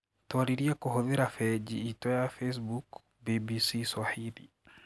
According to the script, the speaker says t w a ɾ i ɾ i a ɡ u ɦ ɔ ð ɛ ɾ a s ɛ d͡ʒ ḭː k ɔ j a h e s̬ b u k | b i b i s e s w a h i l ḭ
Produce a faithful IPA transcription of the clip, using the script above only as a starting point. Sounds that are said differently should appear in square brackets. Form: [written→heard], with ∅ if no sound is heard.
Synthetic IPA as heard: t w a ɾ i ɾ i a [ɡ→k] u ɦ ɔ ð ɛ ɾ a [s→f] ɛ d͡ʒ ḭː [k→t] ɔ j a [h→f] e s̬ b u k | b i b i s [e→i] s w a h i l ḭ

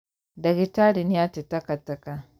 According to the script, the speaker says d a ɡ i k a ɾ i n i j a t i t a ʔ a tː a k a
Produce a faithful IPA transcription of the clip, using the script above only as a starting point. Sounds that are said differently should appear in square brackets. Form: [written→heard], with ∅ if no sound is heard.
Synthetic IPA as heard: d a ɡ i [k→t] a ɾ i n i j a t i t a [ʔ→k] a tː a k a

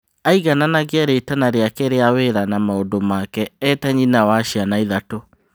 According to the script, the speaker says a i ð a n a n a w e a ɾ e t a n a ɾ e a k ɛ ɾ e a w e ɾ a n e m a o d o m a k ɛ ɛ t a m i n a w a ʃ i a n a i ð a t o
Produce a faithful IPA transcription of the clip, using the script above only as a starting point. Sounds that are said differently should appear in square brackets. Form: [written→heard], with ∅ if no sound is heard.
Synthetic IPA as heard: a i [ð→ɣ] a n a n a [w→ɣ] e a ɾ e t a n a ɾ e a k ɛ ɾ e a w e ɾ a n [e→a] m a o d o m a k ɛ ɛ t a [m→ɲ] i n a w a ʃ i a n a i ð a t o

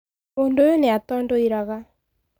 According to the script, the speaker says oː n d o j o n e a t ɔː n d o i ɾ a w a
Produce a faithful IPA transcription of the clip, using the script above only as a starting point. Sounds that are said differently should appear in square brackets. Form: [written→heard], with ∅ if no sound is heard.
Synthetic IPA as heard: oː n d o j o n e a t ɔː n d o i ɾ a [w→ɣ] a

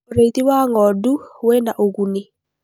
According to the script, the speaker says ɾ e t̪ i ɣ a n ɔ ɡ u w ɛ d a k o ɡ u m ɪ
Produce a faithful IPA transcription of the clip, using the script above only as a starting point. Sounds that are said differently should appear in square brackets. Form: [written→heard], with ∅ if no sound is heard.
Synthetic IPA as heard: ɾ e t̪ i [ɣ→w] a [n→ŋ] ɔ [ɡ→d] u w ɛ [d→n] a [k→ʔ] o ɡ u [m→n] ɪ

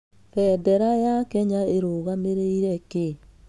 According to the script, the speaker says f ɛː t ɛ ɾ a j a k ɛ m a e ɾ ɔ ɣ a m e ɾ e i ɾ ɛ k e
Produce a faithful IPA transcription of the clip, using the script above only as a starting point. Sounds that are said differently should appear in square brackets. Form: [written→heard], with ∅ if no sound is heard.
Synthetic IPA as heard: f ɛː [t→d] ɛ ɾ a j a k ɛ [m→ɲ] a e ɾ [ɔ→o] ɣ a m e ɾ e i ɾ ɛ k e

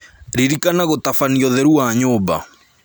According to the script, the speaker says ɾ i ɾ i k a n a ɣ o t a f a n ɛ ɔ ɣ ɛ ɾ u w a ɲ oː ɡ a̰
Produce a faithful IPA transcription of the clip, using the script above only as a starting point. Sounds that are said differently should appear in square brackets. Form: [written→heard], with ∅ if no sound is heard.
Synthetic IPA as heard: ɾ i ɾ i k a n a ɣ o t a f a n [ɛ→i] ɔ [ɣ→ð] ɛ ɾ u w a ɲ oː [ɡ→b] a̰

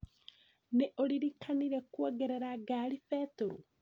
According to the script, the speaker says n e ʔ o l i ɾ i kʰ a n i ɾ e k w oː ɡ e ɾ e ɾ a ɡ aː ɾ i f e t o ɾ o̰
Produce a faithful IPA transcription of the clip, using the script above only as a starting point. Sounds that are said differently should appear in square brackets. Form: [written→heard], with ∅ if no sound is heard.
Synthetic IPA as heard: n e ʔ o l i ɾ i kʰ a n i ɾ e k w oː ɡ e ɾ e ɾ a ɡ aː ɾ i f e t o ɾ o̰

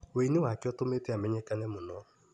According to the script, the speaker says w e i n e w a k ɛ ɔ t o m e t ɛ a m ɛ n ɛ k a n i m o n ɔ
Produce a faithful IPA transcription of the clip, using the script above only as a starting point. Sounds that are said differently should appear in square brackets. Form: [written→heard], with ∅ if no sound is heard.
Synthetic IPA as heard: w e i n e w a k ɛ ɔ t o m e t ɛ a m ɛ [n→ɲ] ɛ k a n [i→ɛ] m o n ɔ

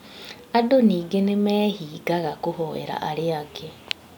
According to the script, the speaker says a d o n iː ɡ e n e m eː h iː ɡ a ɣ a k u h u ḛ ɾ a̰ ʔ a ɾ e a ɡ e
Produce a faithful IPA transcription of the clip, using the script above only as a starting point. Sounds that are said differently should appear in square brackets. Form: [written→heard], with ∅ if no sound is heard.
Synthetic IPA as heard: a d o n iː ɡ e n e m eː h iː ɡ a ɣ a k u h [u→o] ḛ ɾ a̰ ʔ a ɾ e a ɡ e

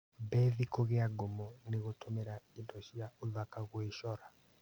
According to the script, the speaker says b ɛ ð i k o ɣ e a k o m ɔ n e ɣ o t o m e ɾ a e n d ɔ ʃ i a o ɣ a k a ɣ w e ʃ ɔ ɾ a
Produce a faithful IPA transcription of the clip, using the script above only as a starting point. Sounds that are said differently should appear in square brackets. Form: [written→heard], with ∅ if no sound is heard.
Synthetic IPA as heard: b ɛ ð i k o ɣ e a [k→ɡ] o m ɔ n e ɣ o t o m e ɾ a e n d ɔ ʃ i a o [ɣ→ð] a k a ɣ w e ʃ ɔ ɾ a

